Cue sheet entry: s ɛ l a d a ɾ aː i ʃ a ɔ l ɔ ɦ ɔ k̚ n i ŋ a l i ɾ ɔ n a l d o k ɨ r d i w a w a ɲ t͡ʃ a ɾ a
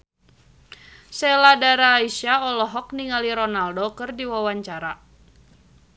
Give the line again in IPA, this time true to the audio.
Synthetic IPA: s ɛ l a d a ɾ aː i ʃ a ɔ l ɔ ɦ ɔ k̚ n i ŋ a l i ɾ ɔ n a l d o k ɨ r d i w a w a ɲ t͡ʃ a ɾ a

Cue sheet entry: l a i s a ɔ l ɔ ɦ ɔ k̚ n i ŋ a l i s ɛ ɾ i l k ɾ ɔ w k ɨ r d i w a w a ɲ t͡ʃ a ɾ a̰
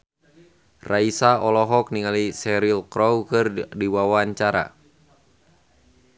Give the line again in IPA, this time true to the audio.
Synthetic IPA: r a i s a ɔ l ɔ ɦ ɔ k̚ n i ŋ a l i s ɛ ɾ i l k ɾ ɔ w k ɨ r d i w a w a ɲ t͡ʃ a ɾ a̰

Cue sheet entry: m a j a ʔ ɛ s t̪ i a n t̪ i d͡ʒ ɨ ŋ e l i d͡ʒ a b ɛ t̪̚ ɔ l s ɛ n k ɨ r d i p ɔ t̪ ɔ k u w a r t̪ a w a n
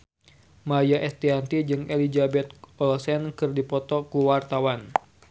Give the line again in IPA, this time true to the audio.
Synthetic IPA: m a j a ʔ ɛ s t̪ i a n t̪ i d͡ʒ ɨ ŋ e l i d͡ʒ a b ɛ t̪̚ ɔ l s ɛ n k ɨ r d i p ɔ t̪ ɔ k u w a r t̪ a w a n

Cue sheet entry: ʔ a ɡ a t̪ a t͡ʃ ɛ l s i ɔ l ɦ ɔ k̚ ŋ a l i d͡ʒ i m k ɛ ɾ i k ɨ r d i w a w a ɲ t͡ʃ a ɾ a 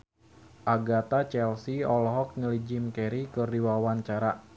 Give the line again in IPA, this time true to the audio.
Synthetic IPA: ʔ a ɡ a t̪ a t͡ʃ ɛ l s i ɔ l ɦ ɔ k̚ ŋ ə l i d͡ʒ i m k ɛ ɾ i k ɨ r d i w a w a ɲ t͡ʃ a ɾ a

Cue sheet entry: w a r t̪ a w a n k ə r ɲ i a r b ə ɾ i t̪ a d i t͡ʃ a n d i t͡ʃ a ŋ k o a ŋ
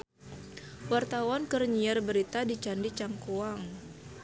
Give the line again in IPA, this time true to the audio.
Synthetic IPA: w a r t̪ a w a n k ə r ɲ i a r b ə ɾ i t̪ a d i t͡ʃ a n d i t͡ʃ a ŋ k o a ŋ

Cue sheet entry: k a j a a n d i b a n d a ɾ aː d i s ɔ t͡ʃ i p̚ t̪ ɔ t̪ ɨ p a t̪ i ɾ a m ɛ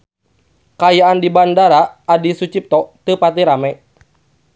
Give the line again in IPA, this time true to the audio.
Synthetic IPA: k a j a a n d i b a n d a ɾ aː d i s u t͡ʃ i p̚ t̪ ɔ t̪ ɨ p a t̪ i ɾ a m ɛ

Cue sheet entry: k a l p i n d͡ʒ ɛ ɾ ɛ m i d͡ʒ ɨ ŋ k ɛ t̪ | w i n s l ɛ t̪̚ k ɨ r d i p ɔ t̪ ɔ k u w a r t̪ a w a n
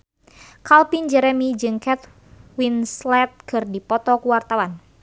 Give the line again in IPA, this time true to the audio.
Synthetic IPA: k a l p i n d͡ʒ ɛ ɾ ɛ m i d͡ʒ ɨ ŋ k ɛ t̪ | w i n s l ɛ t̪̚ k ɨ r d i p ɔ t̪ ɔ k u w a r t̪ a w a n

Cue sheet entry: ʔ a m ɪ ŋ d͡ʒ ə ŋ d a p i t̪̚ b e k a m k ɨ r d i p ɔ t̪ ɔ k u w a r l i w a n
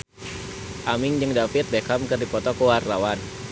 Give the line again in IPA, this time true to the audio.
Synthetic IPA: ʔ a m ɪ ŋ d͡ʒ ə ŋ d a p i t̪̚ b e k a m k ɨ r d i p ɔ t̪ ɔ k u w a r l a w a n

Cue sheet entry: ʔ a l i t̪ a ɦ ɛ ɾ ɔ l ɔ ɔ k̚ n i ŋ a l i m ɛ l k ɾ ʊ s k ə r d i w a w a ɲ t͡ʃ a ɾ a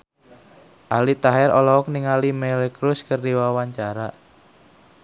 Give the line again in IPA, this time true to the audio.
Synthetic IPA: ʔ a l i t̪ a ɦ ɛ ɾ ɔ l ɔ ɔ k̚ n i ŋ a l i m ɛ l k ɾ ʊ s k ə r d i w a w a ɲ t͡ʃ a ɾ a

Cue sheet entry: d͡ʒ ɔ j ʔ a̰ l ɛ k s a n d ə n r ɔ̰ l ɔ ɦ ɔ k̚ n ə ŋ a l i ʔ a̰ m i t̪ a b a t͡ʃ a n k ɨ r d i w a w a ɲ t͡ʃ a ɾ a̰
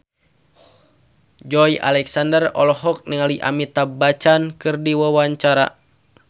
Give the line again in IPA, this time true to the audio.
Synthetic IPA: d͡ʒ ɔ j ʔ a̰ l ɛ k s a n d ə r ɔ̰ l ɔ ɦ ɔ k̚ n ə ŋ a l i ʔ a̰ m i t̪ a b a t͡ʃ a n k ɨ r d i w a w a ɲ t͡ʃ a ɾ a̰

